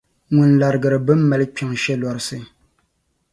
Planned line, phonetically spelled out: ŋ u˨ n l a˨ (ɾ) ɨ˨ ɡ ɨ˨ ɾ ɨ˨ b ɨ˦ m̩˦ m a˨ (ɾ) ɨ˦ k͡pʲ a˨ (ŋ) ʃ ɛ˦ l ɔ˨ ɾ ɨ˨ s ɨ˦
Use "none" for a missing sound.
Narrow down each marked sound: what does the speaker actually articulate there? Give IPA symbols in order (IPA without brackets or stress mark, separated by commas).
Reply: ɾ, l, ŋ